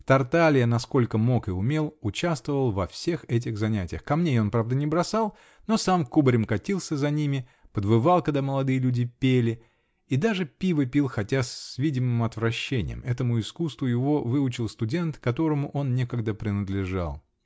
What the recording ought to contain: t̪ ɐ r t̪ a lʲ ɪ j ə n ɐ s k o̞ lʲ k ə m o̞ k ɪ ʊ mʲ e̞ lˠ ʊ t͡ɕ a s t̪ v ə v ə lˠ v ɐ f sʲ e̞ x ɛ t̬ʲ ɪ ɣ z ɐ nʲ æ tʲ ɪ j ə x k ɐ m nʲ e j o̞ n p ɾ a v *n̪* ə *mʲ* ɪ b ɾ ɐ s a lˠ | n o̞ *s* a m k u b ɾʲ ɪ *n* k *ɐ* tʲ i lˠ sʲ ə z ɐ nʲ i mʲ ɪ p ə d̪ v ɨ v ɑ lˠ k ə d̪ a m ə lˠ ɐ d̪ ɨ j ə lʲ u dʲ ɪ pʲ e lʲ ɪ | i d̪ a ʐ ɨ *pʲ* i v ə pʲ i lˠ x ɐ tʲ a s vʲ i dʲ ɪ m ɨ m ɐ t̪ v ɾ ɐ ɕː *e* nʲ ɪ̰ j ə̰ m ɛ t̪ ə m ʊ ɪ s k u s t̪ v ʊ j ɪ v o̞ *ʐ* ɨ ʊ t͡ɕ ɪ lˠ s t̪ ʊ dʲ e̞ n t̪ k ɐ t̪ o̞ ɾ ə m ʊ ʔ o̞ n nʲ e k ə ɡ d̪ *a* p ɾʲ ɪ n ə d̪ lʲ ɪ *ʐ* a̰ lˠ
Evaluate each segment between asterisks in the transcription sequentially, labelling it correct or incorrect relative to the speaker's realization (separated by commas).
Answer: incorrect, incorrect, correct, incorrect, correct, correct, correct, incorrect, incorrect, correct